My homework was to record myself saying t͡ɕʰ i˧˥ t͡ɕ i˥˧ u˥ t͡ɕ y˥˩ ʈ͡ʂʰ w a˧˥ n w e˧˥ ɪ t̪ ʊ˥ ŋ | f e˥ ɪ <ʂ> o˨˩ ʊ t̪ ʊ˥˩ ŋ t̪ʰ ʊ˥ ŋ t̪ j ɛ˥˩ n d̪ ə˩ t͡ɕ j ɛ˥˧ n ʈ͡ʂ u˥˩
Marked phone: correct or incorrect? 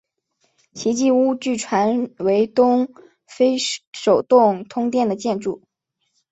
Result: correct